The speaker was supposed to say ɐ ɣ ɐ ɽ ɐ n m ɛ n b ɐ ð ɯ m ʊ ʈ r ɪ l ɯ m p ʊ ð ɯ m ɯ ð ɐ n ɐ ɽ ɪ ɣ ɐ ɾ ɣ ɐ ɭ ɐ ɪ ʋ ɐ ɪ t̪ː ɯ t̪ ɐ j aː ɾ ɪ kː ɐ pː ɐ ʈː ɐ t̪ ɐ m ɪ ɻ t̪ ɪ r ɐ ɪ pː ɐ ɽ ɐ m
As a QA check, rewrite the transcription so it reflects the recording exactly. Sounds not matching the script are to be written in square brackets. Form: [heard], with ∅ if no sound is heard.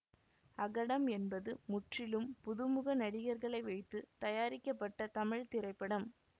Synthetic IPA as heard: ɐ ɣ ɐ ɽ ɐ [∅] m ɛ n b ɐ ð ɯ m ʊ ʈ r ɪ l ɯ m p ʊ ð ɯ m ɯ [ɣ] ɐ n ɐ ɽ ɪ ɣ ɐ ɾ ɣ ɐ ɭ ɐ ɪ ʋ ɐ ɪ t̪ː ɯ t̪ ɐ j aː ɾ ɪ kː ɐ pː ɐ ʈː ɐ t̪ ɐ m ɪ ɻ t̪ ɪ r ɐ ɪ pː ɐ ɽ ɐ m